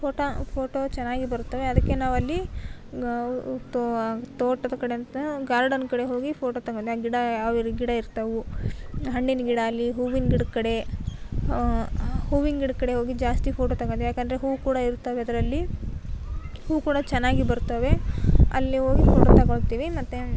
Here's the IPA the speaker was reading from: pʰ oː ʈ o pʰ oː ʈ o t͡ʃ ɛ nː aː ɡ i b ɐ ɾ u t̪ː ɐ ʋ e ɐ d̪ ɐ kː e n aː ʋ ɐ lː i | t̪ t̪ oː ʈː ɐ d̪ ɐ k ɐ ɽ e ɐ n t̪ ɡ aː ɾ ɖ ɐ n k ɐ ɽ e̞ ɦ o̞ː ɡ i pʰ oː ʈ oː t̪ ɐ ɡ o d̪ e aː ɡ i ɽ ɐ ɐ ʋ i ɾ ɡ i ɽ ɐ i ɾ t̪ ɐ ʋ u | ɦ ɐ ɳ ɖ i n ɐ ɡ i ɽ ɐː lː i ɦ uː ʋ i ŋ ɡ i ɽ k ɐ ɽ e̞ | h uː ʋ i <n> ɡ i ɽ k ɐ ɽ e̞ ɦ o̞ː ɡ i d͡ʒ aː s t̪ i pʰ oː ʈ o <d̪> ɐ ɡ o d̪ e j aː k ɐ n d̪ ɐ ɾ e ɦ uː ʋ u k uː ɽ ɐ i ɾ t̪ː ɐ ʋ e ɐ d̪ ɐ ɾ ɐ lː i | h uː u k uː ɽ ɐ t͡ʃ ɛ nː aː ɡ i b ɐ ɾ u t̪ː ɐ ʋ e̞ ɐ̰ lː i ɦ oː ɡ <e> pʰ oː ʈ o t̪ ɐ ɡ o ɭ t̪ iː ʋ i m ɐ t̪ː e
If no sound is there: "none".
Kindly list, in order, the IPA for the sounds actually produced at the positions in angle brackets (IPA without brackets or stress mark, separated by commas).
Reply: ŋ, t̪, i